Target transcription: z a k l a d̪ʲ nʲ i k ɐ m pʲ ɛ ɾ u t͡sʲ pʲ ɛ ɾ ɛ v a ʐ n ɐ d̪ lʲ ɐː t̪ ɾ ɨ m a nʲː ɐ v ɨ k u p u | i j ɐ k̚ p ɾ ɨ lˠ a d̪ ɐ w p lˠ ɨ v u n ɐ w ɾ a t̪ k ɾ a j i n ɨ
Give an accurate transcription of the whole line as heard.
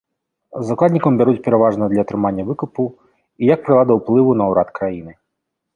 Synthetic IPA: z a k l a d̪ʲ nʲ i k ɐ m bʲ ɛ ɾ u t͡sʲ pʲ ɛ ɾ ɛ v a ʐ n ɐ d̪ lʲ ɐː t̪ ɾ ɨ m a nʲː ɐ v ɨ k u p u | i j ɐ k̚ p ɾ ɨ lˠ a d̪ ɐ w p lˠ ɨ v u n ɐ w ɾ a t̪ k ɾ a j i n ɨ